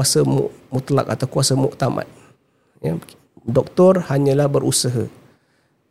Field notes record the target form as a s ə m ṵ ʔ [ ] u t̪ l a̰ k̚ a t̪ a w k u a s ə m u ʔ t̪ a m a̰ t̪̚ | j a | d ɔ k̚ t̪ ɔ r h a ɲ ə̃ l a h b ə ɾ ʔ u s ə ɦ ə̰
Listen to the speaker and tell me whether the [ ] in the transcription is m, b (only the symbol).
m